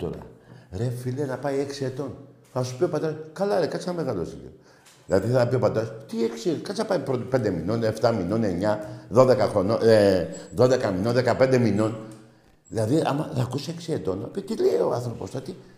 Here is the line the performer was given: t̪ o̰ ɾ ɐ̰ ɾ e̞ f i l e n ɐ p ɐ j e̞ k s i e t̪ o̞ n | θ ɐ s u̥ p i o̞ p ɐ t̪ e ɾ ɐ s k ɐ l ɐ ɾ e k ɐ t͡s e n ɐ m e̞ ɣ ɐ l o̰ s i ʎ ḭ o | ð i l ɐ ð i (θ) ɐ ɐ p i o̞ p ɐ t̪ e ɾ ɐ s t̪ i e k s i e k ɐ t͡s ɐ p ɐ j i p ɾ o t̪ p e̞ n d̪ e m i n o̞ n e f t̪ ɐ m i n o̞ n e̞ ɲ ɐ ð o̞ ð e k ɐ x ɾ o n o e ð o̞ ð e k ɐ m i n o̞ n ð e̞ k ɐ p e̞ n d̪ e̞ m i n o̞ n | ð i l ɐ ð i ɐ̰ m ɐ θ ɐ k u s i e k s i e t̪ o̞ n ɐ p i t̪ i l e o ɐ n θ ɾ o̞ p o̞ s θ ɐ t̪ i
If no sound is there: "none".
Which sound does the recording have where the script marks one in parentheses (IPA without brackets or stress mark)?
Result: θ